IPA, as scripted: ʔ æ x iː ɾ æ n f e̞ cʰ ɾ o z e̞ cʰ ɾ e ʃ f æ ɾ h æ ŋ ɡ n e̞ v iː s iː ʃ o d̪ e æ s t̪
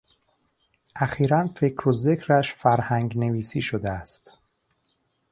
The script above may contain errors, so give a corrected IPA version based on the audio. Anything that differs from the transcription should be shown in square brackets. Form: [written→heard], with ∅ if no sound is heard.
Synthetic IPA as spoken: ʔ æ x iː ɾ æ n f e̞ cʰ ɾ o z e̞ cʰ ɾ [e→æ] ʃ f æ ɾ h æ ŋ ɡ n e̞ v iː s iː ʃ o d̪ e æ s t̪